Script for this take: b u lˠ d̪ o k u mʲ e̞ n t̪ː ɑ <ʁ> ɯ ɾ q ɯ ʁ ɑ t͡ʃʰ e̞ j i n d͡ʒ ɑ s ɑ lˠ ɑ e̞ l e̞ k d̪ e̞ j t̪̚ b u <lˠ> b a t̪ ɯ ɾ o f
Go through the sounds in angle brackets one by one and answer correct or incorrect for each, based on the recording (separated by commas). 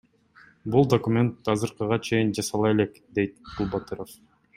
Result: incorrect, correct